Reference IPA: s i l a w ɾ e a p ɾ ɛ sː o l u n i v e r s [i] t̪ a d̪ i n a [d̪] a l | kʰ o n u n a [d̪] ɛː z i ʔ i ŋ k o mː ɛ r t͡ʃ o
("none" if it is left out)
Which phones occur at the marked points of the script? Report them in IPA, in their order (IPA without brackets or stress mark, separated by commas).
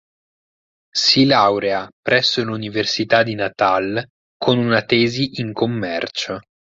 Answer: i, t̪, t̪